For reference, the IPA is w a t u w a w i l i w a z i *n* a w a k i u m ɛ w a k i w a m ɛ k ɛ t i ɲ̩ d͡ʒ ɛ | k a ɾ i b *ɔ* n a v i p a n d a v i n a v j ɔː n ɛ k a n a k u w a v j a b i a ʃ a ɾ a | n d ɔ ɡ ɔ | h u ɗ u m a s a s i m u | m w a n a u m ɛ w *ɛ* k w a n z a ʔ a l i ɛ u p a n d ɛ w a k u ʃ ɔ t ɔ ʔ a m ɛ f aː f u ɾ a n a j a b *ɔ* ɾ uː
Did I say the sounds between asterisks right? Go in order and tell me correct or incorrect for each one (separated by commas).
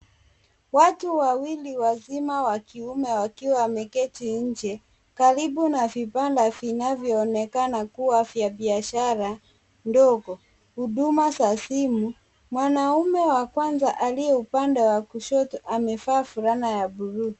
incorrect, incorrect, incorrect, incorrect